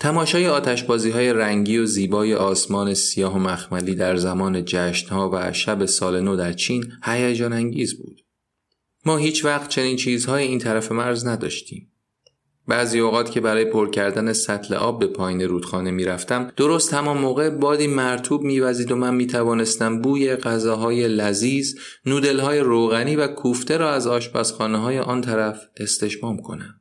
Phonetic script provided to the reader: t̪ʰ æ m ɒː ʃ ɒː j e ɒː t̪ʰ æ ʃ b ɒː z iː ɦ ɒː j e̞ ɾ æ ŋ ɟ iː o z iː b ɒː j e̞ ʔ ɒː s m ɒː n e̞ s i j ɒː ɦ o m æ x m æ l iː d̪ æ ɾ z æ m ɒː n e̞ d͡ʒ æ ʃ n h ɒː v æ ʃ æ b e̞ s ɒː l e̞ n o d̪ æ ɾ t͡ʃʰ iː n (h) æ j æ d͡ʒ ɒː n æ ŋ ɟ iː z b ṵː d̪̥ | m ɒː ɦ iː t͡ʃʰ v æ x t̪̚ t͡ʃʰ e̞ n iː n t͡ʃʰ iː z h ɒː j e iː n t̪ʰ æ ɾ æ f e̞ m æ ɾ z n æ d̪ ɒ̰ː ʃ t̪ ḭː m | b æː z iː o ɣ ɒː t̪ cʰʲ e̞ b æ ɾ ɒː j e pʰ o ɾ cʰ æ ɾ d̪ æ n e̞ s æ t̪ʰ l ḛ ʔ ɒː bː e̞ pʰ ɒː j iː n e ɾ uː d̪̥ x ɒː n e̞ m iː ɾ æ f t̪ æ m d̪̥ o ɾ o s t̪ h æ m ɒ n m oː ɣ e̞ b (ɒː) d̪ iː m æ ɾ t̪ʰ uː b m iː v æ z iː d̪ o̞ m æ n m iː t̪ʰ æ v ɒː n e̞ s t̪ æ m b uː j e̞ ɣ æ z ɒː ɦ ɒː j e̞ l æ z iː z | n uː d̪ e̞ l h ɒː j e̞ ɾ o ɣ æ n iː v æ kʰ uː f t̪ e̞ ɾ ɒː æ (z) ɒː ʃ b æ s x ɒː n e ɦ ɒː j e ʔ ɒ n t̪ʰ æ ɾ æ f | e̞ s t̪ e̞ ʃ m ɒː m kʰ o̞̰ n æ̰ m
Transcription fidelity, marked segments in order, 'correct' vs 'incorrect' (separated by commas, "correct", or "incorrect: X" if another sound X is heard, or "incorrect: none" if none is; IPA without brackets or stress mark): correct, correct, correct